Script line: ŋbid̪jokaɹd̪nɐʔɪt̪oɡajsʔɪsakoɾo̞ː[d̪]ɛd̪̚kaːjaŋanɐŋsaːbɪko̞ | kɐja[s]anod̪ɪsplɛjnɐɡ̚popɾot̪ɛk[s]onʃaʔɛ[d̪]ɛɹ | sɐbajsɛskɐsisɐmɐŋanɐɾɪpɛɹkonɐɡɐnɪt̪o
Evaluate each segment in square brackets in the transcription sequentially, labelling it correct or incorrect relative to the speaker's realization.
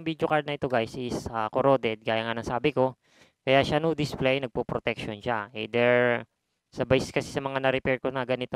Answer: correct, incorrect: ʃ, incorrect: ʃ, correct

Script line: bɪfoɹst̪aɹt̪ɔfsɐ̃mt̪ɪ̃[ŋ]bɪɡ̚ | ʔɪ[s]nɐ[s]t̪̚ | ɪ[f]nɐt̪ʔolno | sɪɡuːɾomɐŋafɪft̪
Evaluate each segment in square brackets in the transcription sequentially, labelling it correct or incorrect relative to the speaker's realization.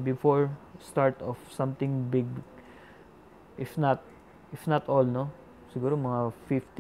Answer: correct, incorrect: f, incorrect: none, correct

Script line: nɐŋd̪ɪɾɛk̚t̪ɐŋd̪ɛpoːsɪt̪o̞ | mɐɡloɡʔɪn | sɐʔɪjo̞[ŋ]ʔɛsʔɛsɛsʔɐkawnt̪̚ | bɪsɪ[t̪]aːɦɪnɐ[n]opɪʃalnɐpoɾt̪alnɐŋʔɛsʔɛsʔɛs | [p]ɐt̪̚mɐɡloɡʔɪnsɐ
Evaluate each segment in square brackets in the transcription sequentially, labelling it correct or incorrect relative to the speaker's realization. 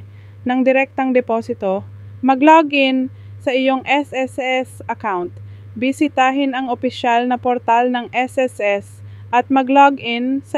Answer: correct, correct, incorrect: ŋ, incorrect: ʔ

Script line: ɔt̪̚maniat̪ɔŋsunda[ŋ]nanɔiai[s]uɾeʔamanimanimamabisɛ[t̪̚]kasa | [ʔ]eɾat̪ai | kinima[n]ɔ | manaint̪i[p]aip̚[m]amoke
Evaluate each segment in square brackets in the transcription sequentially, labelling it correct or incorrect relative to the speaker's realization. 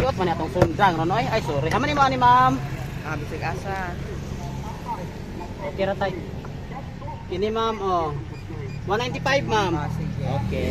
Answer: correct, correct, incorrect: none, incorrect: k, incorrect: m, correct, correct

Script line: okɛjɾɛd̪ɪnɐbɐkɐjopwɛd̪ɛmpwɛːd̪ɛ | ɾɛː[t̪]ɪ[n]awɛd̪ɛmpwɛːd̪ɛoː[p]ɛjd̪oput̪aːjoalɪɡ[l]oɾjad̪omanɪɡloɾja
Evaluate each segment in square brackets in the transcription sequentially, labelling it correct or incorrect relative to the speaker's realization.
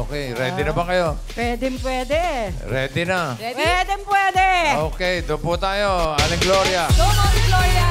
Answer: incorrect: d̪, correct, incorrect: k, correct

